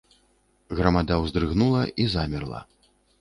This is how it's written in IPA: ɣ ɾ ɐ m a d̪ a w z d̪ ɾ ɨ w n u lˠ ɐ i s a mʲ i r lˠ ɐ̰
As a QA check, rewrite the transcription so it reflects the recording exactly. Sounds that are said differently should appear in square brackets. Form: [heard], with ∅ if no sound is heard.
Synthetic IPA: ɣ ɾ ɐ m a d̪ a w z d̪ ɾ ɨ [ɣ] n u lˠ ɐ i [z] a mʲ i r lˠ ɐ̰